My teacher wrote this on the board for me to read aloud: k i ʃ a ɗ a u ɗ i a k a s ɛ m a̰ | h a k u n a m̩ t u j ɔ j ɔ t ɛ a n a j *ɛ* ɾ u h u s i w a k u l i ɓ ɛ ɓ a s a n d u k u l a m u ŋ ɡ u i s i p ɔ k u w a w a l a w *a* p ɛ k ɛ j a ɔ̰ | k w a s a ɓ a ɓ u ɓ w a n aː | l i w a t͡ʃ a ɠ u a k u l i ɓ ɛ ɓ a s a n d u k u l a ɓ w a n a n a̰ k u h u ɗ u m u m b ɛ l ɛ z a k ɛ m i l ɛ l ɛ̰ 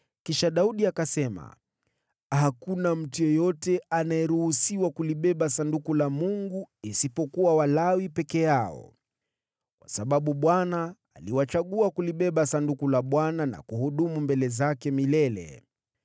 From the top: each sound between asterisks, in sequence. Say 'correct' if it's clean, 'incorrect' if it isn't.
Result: correct, incorrect

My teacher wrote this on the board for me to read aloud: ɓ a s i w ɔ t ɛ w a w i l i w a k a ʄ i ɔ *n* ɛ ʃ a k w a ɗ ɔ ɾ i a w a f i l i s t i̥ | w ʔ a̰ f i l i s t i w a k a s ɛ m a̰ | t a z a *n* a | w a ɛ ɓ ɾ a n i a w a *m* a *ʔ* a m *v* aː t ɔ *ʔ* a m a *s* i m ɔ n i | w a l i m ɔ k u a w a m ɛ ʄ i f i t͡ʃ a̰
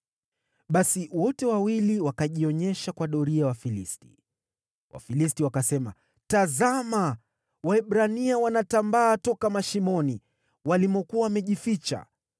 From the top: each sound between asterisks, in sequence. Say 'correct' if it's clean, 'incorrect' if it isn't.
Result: incorrect, incorrect, incorrect, incorrect, incorrect, incorrect, incorrect

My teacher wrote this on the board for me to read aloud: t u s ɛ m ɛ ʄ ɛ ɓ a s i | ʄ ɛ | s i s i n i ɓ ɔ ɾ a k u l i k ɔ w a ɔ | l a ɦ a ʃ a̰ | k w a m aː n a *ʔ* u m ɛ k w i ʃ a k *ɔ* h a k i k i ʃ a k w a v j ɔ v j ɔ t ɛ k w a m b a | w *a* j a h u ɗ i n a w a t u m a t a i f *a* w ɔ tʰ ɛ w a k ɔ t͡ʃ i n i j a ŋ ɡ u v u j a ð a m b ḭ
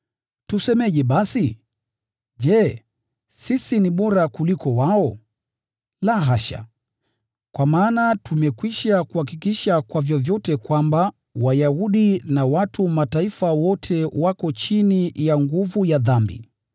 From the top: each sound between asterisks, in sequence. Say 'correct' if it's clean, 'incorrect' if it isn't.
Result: incorrect, incorrect, correct, correct

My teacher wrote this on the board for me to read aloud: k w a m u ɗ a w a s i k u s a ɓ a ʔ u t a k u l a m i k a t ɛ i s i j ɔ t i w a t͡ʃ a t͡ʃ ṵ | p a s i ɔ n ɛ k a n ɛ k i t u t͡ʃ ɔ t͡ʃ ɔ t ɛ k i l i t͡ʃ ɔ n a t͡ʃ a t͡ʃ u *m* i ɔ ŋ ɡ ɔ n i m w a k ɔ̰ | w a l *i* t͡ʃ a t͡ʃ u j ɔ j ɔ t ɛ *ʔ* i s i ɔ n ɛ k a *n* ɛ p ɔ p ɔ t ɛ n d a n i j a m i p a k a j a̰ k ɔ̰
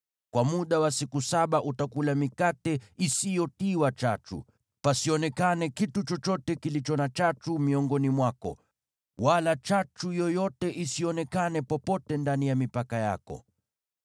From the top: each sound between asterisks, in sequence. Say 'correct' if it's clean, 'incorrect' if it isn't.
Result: correct, incorrect, correct, correct

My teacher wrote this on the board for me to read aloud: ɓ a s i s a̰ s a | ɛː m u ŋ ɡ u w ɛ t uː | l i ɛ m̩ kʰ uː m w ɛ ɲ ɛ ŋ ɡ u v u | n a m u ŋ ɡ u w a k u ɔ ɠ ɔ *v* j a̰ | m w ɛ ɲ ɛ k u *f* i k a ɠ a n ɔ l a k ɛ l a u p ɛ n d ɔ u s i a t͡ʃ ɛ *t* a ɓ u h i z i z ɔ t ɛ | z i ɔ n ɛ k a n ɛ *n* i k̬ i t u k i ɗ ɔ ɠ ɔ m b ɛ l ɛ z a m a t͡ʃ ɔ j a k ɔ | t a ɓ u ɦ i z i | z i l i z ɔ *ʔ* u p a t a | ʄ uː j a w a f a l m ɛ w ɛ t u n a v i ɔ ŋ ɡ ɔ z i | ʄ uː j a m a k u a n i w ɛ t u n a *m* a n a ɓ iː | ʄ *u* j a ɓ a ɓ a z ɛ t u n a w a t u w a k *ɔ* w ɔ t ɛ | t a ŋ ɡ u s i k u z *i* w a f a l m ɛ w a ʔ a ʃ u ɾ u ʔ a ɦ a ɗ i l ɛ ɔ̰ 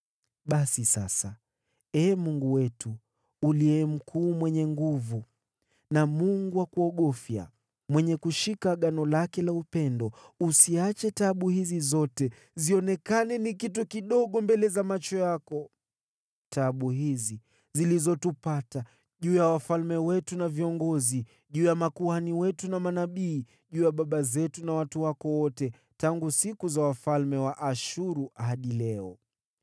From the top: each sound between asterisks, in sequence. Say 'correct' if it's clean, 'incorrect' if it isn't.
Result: incorrect, incorrect, correct, correct, incorrect, correct, incorrect, correct, incorrect

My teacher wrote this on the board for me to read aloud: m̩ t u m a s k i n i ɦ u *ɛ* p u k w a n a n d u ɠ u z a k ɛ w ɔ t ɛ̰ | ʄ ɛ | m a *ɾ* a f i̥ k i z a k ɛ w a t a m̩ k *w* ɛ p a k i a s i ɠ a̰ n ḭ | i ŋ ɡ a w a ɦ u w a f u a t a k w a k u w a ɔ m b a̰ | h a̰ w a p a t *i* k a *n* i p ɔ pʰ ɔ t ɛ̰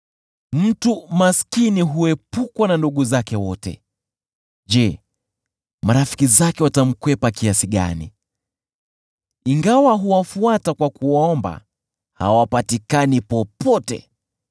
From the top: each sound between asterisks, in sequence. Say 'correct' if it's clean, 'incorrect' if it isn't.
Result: correct, correct, correct, correct, correct

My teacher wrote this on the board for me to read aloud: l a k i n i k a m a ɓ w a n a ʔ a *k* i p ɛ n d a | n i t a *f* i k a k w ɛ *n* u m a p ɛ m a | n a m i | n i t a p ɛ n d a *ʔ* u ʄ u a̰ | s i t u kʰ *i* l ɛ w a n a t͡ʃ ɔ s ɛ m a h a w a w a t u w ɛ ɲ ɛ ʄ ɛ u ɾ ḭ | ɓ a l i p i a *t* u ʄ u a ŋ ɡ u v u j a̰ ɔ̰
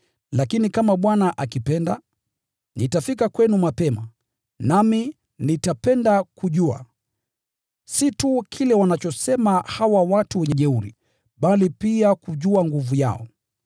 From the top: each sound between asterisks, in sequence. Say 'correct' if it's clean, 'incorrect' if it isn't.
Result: correct, correct, correct, incorrect, correct, incorrect

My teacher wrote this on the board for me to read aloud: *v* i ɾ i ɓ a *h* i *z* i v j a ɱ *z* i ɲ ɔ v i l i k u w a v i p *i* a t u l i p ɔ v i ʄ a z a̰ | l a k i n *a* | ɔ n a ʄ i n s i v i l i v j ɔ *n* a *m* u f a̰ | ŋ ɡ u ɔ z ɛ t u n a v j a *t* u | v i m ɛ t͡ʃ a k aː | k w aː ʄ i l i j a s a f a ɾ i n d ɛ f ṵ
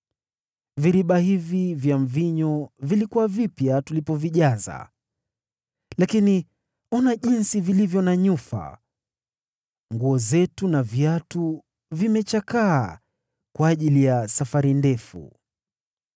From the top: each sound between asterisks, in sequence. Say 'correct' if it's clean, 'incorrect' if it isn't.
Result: correct, correct, incorrect, incorrect, incorrect, incorrect, correct, incorrect, correct

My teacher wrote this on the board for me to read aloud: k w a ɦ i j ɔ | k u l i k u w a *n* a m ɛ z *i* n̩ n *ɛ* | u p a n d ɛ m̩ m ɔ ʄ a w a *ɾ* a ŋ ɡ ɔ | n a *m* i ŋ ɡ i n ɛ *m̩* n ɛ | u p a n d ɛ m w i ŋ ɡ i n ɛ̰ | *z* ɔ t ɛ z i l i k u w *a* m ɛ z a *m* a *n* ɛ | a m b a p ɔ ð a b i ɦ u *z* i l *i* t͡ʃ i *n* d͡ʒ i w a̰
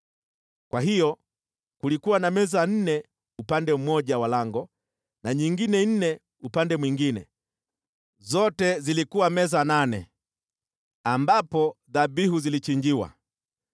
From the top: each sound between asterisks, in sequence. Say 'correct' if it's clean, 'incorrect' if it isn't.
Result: correct, incorrect, correct, incorrect, incorrect, incorrect, correct, correct, incorrect, correct, correct, correct, incorrect

